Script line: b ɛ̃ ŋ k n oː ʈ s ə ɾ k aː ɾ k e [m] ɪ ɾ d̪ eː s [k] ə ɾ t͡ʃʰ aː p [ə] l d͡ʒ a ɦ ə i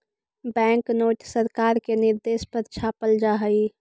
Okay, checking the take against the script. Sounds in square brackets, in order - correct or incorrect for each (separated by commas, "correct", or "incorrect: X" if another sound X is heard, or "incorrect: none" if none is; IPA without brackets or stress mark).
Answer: incorrect: n, incorrect: p, correct